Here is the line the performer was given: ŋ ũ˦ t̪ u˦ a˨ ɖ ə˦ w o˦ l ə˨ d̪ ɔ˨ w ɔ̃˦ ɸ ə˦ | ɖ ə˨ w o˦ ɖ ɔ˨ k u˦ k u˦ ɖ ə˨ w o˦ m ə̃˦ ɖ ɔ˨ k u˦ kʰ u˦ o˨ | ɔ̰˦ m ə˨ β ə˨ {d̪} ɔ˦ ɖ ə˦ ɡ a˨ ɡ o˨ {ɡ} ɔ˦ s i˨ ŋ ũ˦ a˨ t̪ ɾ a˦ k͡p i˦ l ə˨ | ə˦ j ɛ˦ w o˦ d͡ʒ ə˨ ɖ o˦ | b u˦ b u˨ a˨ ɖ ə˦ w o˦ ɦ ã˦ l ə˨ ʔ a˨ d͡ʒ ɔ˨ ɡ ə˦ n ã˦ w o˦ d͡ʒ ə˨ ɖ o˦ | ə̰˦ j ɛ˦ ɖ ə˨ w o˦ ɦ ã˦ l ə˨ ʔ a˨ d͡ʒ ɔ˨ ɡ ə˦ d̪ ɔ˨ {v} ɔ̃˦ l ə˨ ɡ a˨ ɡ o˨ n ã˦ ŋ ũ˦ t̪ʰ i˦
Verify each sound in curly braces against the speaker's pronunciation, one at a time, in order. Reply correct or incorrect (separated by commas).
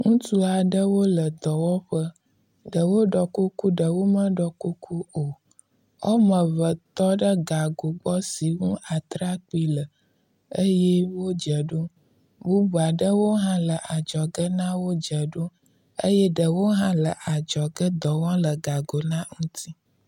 incorrect, incorrect, incorrect